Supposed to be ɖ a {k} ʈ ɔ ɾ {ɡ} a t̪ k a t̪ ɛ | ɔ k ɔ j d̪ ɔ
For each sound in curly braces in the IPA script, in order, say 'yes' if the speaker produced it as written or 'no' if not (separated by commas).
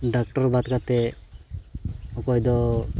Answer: yes, no